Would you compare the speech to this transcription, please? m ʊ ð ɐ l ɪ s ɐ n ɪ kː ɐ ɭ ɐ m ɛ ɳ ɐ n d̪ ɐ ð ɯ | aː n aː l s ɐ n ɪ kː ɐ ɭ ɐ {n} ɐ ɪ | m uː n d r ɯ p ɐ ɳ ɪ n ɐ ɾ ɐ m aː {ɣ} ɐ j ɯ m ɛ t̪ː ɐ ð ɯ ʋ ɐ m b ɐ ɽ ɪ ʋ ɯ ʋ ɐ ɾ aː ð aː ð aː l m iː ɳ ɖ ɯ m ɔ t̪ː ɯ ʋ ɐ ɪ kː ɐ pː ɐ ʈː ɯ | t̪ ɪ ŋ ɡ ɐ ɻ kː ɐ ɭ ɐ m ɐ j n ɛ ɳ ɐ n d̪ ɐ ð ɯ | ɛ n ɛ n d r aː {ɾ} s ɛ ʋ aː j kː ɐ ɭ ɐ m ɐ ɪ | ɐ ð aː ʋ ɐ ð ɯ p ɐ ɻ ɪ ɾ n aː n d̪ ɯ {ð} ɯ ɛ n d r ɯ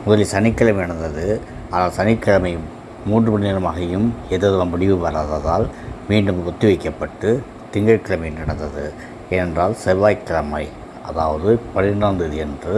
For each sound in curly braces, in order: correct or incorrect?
incorrect: m, correct, incorrect: l, correct

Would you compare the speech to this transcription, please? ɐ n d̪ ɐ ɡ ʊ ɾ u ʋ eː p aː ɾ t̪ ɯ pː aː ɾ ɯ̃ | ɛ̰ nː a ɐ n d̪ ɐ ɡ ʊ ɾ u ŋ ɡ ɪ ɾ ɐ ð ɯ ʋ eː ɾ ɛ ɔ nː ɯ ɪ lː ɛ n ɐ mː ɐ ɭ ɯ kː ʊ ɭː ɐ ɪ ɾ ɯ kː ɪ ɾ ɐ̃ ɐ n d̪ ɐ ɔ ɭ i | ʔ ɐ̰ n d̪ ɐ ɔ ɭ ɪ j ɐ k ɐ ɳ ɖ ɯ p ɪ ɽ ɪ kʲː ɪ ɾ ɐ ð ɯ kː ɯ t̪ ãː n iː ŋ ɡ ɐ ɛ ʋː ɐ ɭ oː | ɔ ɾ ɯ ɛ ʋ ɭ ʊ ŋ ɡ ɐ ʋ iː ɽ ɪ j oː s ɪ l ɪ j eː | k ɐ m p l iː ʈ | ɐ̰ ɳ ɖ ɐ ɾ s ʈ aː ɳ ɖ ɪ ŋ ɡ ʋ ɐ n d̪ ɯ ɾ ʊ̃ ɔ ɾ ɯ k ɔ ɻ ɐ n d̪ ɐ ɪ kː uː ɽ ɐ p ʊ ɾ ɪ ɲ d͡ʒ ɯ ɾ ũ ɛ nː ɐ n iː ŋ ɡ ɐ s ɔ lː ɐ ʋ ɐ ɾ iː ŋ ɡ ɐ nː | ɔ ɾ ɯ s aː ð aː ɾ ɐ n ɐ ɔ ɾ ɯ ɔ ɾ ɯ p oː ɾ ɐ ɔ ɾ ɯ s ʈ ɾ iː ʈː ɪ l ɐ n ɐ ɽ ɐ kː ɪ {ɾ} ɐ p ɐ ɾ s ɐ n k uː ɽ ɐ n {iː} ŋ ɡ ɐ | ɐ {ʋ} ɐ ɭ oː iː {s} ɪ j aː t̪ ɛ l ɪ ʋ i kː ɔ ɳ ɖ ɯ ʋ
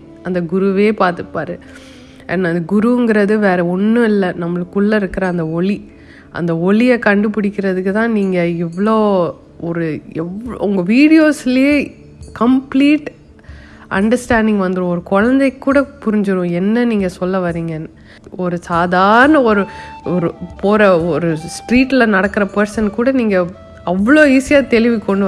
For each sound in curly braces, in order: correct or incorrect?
correct, correct, incorrect: ʋː, correct

